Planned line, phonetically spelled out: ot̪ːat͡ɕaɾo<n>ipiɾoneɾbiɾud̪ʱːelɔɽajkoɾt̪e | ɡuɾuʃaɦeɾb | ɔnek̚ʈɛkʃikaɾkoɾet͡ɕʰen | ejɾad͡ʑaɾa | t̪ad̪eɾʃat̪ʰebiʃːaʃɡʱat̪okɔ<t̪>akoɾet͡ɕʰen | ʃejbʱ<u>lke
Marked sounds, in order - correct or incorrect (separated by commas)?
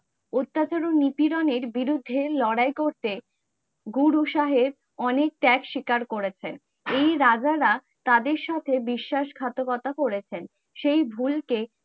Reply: correct, correct, correct